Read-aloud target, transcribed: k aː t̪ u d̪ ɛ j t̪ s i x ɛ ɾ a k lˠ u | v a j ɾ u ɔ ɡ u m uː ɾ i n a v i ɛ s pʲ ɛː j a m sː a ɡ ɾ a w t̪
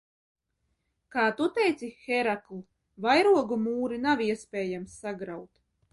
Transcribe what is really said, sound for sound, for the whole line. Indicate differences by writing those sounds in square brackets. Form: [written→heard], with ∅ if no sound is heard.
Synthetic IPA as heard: k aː t̪ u [d̪→t̪] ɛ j t̪ s i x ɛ ɾ a k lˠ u | v a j ɾ u ɔ ɡ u m uː ɾ i n a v i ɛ s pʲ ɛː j a m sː a ɡ ɾ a w t̪